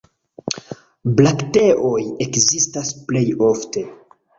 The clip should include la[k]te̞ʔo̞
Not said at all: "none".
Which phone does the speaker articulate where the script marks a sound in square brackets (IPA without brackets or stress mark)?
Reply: k